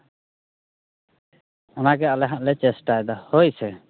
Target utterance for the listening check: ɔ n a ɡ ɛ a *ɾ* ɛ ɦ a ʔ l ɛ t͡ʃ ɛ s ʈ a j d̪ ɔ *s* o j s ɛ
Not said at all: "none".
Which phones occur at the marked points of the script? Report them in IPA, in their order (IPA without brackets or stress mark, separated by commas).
l, h